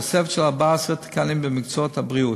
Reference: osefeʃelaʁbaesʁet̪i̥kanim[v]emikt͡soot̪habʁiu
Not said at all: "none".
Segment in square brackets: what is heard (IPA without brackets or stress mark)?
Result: b